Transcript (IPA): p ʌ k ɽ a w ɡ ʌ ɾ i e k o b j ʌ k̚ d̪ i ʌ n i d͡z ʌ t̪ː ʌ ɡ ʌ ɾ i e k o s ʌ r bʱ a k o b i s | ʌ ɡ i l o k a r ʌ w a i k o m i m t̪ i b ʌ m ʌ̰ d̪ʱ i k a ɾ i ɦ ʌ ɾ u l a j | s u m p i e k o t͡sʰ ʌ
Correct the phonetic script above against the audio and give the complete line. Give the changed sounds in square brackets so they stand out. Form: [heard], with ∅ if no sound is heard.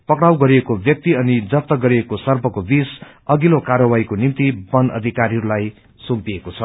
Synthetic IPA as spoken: p ʌ k ɽ a w ɡ ʌ ɾ i e k o b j ʌ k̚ [t̪] i ʌ n i d͡z ʌ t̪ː ʌ ɡ ʌ ɾ i e k o s ʌ r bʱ [ʌ] k o b i s | ʌ ɡ i l o k a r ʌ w a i k o [n] i m t̪ i b ʌ [n] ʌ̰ d̪ʱ i k a ɾ i ɦ ʌ ɾ u l a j | s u m p i e k o t͡sʰ ʌ